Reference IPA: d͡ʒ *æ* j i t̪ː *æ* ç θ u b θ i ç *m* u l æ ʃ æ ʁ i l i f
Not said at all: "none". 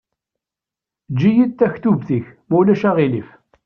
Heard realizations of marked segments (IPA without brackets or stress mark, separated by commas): i, æ, m